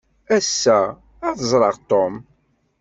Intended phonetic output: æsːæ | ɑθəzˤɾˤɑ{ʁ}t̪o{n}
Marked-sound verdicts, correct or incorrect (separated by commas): correct, incorrect